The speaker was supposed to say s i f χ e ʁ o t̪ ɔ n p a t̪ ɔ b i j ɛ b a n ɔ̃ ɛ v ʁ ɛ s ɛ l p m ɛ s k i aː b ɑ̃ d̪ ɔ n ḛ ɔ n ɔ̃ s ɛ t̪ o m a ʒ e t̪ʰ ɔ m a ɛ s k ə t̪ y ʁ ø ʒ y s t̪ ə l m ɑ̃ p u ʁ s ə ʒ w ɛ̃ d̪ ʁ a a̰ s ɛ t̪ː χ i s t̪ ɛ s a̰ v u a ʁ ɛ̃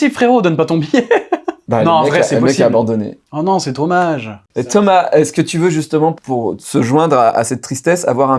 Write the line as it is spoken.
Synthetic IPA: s i f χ e ʁ o d̪ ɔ n p a t̪ ɔ̃ b i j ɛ b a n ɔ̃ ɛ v ʁ ɛ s ɛ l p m ɛ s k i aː b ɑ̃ d̪ ɔ n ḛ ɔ n ɔ̃ s ɛ t̪ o m a ʒ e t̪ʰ ɔ m a ɛ s k ə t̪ y v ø ʒ y s t̪ ə m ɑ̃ p u ʁ s ə ʒ w ɛ̃ d̪ ʁ a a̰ s ɛ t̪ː χ i s t̪ ɛ s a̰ v w a ʁ ɛ̃